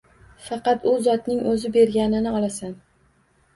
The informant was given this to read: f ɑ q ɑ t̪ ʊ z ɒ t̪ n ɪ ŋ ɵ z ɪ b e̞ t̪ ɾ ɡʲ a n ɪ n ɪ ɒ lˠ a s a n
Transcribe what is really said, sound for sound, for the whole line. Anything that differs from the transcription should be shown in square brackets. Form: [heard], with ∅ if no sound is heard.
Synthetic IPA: f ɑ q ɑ t̪ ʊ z ɒ t̪ n ɪ ŋ ɵ z ɪ b e̞ [∅] ɾ ɡʲ a n ɪ n ɪ ɒ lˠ a s a n

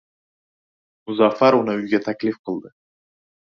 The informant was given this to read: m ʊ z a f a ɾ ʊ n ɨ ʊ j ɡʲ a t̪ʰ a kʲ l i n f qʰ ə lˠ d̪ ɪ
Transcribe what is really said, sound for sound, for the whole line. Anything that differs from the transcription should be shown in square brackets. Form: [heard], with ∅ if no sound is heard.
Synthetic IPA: m ʊ z a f a ɾ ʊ n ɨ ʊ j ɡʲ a t̪ʰ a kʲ l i [∅] f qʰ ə lˠ d̪ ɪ

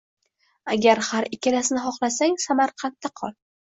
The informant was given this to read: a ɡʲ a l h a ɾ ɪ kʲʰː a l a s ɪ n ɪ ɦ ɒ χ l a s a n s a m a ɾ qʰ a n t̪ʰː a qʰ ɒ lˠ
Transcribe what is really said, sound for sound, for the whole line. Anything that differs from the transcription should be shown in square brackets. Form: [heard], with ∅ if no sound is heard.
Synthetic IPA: a ɡʲ a [ɾ] h a ɾ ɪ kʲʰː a l a s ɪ n ɪ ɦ ɒ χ l a s a [ŋ] s a m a ɾ qʰ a n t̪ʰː a qʰ ɒ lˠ

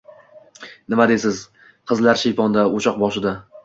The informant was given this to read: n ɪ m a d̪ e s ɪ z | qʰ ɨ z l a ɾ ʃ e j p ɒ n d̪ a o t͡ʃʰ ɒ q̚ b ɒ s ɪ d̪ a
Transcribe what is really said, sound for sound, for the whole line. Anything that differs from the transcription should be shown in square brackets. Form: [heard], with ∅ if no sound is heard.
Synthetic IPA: n ɪ m a d̪ e s ɪ z | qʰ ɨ z l a ɾ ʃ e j p ɒ n d̪ a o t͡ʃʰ ɒ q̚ b ɒ [ʃ] ɪ d̪ a

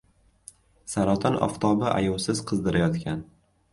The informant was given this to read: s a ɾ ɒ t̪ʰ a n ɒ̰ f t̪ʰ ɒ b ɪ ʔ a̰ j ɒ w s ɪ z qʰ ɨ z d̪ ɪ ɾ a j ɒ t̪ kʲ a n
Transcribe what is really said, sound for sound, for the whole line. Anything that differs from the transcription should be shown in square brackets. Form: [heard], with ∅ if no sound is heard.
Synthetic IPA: s a ɾ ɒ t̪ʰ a n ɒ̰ f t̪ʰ ɒ b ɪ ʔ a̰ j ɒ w s ɪ z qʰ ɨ z d̪ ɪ ɾ a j ɒ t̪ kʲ a n

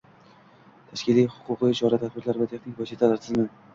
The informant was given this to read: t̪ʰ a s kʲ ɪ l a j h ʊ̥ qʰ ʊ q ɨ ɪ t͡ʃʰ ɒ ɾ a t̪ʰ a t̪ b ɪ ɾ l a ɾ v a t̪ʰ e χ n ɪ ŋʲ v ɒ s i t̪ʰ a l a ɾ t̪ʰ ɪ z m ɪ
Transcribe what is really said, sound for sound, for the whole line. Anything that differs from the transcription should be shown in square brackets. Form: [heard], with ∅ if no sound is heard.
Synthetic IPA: t̪ʰ a [ʃ] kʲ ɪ l [i] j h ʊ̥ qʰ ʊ q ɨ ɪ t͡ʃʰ ɒ ɾ a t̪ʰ a t̪ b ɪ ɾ l a ɾ v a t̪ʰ e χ n ɪ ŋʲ v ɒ s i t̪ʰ a l a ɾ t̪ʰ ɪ z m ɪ

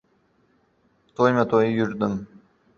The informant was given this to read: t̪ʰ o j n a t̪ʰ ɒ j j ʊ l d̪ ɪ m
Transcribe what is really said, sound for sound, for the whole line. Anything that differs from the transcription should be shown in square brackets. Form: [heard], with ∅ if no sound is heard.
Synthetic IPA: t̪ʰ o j [m] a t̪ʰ [o] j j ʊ [ɾ] d̪ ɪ m

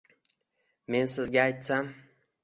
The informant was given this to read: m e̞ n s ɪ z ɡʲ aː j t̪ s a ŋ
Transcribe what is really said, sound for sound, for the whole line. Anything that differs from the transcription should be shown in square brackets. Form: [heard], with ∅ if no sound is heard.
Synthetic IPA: m e̞ n s ɪ z ɡʲ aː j t̪ s a [m]

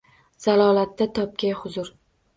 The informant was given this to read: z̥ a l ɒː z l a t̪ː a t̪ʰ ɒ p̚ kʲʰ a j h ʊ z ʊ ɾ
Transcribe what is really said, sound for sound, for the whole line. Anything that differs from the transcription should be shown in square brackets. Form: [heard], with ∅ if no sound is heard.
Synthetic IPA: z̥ a l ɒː [∅] l a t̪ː a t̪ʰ ɒ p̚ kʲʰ a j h ʊ z ʊ ɾ

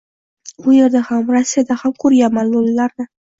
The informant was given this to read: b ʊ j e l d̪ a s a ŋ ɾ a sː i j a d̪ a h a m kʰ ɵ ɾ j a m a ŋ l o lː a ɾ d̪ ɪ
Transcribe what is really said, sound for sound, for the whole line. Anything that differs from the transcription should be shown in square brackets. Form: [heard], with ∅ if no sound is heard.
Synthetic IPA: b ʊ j e [ɾ] d̪ a [h] a [m] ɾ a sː i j a d̪ a h a m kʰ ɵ ɾ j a m a [n] l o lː a ɾ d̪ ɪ

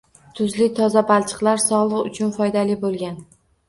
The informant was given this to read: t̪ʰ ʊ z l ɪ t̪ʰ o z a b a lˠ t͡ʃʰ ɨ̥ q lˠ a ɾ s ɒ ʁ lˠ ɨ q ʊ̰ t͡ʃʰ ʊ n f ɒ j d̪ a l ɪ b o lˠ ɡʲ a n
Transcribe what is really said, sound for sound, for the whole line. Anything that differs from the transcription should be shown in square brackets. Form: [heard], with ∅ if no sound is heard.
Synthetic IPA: t̪ʰ ʊ z l ɪ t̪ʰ [ɒ] z a b a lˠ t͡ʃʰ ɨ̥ q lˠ a ɾ s ɒ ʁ lˠ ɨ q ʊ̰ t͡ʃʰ ʊ n f ɒ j d̪ a l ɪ b o lˠ ɡʲ a n

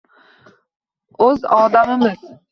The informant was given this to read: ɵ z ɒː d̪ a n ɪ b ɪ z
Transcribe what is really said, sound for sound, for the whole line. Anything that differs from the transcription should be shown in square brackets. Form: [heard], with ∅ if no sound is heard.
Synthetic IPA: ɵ z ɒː d̪ a [m] ɪ [m] ɪ z

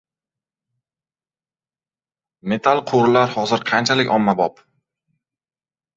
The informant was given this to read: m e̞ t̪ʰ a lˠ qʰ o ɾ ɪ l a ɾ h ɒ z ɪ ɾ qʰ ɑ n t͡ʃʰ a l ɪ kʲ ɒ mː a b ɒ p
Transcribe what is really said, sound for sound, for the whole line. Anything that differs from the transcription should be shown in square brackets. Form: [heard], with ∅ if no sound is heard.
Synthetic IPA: m e̞ t̪ʰ a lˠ qʰ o ɾ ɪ l a ɾ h ɒ z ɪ ɾ qʰ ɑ n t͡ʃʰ a l ɪ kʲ ɒ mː a b ɒ p

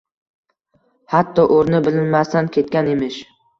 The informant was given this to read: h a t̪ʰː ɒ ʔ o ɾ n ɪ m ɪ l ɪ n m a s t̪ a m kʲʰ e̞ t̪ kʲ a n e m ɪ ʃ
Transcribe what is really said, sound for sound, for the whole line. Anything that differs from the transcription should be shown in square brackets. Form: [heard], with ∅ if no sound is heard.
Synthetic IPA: h a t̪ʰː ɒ ʔ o ɾ n ɪ [b] ɪ l ɪ n m a s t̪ a [n] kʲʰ e̞ t̪ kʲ a n e m ɪ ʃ

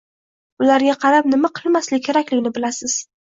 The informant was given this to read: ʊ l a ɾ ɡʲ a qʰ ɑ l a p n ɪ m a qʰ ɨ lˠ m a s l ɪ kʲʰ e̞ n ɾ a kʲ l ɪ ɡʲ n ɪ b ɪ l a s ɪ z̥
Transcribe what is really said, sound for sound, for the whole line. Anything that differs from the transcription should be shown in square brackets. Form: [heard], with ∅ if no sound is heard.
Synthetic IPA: ʊ l a ɾ ɡʲ a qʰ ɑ [ɾ] a p n ɪ m a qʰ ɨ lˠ m a s l ɪ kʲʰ e̞ [∅] ɾ a kʲ l ɪ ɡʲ n ɪ b ɪ l a s ɪ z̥

